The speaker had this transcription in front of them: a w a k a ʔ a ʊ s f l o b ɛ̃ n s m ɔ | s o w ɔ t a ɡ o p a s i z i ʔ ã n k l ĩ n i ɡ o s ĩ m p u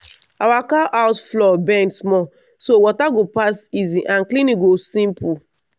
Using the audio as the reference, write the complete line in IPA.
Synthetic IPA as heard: a w a k a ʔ a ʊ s f l ɔ b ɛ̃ n s m ɔ | s o w ɔ t a ɡ o p a s i z i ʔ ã n k l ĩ n i ɡ o s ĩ m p u